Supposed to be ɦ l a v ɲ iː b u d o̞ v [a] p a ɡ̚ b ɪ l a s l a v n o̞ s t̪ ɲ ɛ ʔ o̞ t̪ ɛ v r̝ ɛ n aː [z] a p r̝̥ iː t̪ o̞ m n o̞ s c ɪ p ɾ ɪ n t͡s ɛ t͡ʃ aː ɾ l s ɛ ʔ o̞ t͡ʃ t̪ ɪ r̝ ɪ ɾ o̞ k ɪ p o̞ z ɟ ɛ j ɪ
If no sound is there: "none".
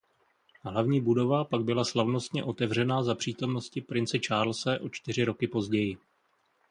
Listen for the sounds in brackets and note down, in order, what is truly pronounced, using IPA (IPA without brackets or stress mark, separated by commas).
a, z